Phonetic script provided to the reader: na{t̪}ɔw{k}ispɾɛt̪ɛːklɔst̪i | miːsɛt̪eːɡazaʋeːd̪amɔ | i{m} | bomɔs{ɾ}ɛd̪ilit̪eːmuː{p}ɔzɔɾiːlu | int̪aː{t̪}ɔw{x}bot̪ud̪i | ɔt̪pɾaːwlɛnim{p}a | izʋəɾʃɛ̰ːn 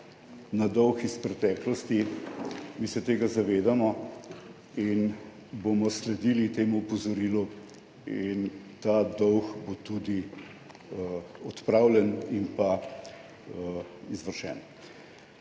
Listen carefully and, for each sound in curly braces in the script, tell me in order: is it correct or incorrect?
incorrect: d̪, incorrect: x, incorrect: n, incorrect: l, correct, incorrect: d̪, correct, correct

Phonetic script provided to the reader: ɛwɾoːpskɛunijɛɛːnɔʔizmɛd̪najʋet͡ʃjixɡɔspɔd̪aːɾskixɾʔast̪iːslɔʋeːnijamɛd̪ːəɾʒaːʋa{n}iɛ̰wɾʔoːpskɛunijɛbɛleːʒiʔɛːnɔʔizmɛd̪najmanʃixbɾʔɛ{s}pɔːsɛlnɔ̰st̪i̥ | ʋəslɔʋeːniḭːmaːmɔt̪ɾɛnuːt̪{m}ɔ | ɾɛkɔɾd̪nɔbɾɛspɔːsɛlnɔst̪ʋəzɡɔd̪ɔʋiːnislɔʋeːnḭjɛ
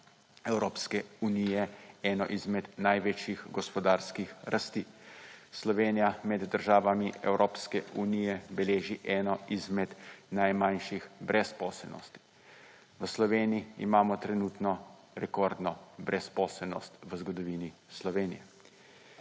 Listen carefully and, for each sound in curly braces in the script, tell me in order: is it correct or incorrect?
incorrect: m, correct, incorrect: n

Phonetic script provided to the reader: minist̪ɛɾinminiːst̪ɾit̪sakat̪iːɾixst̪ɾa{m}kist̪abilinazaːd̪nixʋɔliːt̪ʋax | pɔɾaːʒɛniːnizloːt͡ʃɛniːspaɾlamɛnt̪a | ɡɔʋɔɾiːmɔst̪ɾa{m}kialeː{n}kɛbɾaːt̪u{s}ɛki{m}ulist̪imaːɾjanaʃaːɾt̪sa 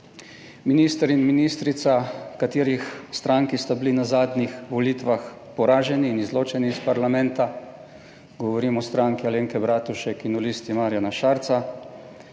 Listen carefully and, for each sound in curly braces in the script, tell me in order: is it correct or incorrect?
incorrect: ŋ, incorrect: ŋ, incorrect: ŋ, incorrect: ʃ, incorrect: n

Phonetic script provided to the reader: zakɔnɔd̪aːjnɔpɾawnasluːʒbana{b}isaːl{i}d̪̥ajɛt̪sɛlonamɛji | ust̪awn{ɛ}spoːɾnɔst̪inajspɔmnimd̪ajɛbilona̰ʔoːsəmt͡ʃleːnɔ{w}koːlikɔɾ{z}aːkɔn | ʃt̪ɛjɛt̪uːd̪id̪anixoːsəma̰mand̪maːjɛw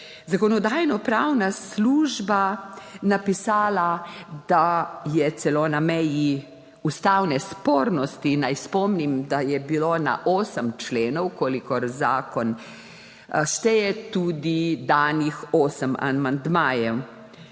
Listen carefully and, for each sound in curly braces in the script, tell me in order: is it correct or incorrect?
incorrect: p, incorrect: a, correct, correct, correct

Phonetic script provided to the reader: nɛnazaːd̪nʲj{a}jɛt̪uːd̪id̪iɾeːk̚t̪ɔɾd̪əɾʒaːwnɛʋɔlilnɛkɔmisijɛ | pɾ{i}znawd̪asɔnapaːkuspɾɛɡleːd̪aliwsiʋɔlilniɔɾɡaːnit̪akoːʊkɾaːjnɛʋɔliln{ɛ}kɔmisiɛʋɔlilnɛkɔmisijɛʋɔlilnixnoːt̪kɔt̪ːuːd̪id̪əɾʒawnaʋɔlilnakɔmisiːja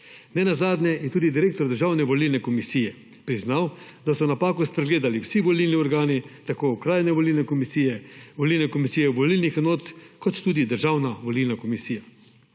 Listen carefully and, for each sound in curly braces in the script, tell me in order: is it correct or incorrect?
incorrect: ɛ, correct, correct

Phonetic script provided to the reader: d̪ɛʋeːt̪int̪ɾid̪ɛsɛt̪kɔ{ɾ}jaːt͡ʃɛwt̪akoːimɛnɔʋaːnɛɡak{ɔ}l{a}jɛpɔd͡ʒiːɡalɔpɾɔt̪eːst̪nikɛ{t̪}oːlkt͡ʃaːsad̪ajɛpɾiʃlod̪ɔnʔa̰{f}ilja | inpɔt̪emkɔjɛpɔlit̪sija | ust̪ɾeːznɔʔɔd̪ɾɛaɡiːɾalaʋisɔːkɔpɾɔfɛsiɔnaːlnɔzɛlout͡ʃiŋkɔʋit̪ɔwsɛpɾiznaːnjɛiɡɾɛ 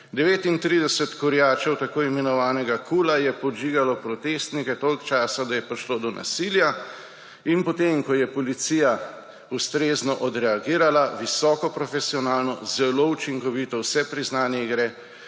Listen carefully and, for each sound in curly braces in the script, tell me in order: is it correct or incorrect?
correct, incorrect: u, correct, correct, incorrect: s

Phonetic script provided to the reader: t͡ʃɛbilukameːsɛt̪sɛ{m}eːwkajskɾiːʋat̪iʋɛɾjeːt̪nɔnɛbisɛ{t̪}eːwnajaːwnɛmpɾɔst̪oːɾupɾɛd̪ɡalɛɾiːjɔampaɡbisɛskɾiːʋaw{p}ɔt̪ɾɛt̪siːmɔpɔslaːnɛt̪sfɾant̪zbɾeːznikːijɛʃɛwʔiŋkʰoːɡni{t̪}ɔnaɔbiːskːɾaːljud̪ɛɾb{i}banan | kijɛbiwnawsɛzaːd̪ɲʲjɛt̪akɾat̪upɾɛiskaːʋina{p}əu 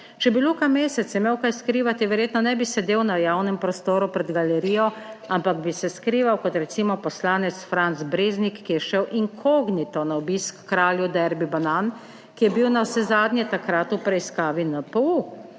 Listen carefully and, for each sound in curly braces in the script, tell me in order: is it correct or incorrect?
correct, incorrect: d̪, incorrect: k, correct, correct, correct

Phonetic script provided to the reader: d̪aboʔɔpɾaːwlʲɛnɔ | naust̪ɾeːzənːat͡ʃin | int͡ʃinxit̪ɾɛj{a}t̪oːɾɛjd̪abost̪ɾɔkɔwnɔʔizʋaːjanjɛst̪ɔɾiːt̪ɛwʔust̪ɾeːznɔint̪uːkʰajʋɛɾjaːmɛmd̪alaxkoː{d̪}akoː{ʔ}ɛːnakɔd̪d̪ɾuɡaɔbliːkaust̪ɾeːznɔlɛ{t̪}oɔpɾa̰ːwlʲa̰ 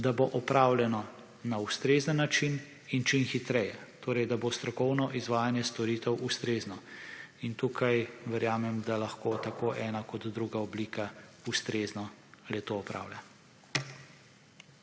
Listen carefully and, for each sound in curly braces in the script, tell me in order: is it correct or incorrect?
incorrect: ɛ, incorrect: t̪, correct, correct

